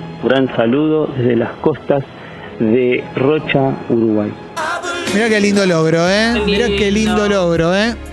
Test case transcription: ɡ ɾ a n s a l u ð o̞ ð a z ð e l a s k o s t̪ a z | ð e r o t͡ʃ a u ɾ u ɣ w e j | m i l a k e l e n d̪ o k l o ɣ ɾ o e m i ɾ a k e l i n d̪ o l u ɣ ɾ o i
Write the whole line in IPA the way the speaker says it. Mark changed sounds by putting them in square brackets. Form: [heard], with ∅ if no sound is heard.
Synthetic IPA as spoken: ɡ ɾ a n s a l u ð o̞ ð [e] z ð e l a s k o s t̪ a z | ð e r o t͡ʃ a u ɾ u ɣ w [a] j | m i [ɾ] a k e l [i] n d̪ o [∅] l o ɣ ɾ o e m i ɾ a k e l i n d̪ o l [o] ɣ ɾ o [e]